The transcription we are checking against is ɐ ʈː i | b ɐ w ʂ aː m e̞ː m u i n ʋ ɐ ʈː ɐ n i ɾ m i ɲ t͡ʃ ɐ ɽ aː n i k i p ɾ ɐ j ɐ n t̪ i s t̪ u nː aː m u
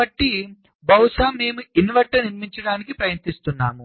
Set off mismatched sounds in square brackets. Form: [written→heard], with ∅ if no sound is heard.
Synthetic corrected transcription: ɐ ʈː i | b ɐ w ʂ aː m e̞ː m u i n ʋ ɐ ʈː ɐ n i ɾ m i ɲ t͡ʃ ɐ ɽ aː n i k i p ɾ ɐ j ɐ n t̪ i s t̪ u nː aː m u